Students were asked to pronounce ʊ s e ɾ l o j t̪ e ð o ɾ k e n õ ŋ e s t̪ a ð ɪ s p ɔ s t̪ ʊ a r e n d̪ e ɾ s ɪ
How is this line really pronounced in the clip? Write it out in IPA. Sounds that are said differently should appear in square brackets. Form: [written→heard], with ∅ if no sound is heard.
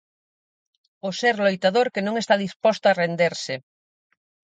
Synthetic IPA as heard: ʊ s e ɾ l o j t̪ [e→a] ð o ɾ k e n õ ŋ e s t̪ a ð [ɪ→i] s p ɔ s t̪ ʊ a r e n d̪ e ɾ s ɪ